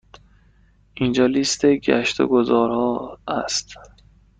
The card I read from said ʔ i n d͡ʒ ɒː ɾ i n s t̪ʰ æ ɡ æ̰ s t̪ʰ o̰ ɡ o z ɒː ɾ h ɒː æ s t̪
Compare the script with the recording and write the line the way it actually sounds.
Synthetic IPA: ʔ i n d͡ʒ ɒː l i s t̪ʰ e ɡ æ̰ ʃ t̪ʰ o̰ ɡ o z ɒː ɾ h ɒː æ s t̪